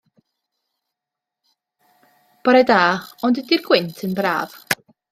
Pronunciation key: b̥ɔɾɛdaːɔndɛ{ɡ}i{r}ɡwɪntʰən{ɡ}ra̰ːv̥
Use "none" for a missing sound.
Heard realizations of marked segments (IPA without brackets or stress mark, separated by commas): d, r, b